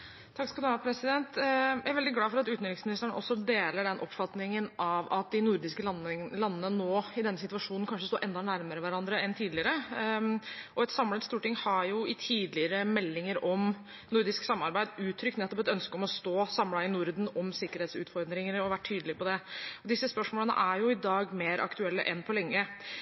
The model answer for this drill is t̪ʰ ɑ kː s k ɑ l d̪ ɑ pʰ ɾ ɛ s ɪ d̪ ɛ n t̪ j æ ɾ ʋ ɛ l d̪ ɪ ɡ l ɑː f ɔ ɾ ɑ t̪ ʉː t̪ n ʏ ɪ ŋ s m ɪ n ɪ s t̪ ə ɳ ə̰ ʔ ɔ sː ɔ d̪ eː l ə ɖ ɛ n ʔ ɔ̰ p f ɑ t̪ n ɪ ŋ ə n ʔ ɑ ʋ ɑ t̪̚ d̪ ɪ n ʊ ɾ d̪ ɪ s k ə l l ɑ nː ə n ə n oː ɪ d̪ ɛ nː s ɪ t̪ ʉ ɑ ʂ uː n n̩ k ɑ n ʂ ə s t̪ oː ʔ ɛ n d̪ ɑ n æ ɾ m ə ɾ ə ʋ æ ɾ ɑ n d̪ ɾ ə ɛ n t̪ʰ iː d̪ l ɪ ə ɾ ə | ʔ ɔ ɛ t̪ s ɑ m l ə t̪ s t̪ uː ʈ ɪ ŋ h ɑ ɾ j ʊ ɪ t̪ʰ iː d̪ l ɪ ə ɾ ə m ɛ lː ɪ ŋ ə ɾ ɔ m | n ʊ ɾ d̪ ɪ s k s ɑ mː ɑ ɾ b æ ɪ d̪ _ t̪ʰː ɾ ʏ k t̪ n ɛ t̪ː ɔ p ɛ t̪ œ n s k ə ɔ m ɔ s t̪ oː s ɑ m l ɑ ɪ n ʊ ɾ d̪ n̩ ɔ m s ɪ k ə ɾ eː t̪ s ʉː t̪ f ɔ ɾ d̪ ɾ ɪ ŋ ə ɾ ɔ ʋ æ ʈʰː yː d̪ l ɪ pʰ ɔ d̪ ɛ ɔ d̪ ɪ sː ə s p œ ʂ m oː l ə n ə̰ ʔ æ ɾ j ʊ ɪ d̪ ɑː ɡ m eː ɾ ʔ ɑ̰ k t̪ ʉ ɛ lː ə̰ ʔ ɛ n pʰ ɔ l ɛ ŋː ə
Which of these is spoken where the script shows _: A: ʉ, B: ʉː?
B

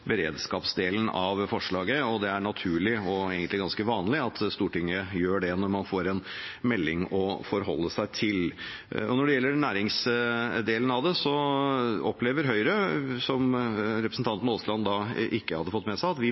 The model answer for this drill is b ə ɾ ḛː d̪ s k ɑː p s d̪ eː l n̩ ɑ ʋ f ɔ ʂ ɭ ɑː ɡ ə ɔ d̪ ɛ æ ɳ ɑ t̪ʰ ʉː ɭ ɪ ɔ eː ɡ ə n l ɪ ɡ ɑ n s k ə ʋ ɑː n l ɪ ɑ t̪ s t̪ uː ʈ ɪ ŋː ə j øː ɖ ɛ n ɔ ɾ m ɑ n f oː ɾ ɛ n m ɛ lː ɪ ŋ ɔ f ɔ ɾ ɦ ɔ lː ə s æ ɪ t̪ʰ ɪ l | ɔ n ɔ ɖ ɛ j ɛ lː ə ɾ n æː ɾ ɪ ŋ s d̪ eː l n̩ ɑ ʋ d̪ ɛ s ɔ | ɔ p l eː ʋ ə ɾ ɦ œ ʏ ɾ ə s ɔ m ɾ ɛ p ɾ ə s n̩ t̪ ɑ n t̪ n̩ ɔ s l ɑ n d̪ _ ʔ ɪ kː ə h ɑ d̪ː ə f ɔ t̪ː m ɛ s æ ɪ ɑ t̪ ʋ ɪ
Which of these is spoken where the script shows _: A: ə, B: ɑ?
B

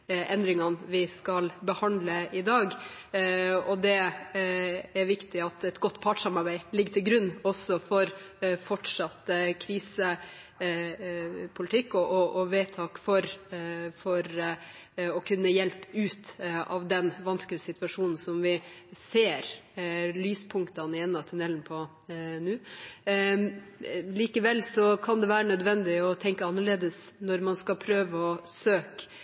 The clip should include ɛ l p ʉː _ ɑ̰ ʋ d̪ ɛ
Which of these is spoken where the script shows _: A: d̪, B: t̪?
B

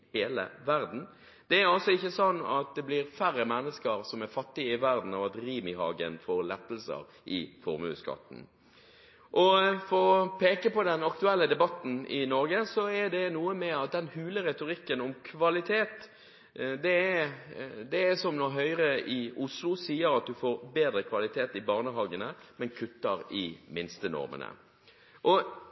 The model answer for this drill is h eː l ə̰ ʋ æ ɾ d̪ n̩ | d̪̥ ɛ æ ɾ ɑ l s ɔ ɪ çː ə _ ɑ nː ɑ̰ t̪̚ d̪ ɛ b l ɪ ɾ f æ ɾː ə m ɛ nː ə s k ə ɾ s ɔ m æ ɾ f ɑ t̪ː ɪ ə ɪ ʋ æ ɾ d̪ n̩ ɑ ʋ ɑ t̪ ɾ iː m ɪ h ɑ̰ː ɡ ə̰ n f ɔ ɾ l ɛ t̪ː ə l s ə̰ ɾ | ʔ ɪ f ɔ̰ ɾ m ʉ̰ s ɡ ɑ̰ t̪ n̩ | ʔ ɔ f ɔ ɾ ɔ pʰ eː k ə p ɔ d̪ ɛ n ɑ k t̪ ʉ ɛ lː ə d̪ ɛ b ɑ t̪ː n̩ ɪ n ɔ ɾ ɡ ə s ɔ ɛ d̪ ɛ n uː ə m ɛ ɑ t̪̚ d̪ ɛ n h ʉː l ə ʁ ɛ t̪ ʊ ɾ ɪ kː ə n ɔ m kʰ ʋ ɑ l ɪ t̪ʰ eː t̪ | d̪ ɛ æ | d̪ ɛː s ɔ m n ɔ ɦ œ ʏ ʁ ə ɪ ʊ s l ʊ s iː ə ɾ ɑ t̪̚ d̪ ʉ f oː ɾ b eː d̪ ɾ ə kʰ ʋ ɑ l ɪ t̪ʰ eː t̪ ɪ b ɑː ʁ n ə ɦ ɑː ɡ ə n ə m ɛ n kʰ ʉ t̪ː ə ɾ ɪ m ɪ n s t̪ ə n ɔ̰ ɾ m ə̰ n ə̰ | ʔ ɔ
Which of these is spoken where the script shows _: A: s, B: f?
A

